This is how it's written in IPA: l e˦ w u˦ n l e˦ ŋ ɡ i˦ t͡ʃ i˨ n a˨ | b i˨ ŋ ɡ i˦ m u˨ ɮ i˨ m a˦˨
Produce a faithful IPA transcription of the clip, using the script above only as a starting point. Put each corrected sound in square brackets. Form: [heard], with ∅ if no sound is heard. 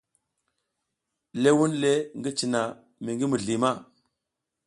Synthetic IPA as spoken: l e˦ w u˦ n l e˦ ŋ ɡ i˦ t͡ʃ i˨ n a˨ | [m] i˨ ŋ ɡ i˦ m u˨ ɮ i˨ m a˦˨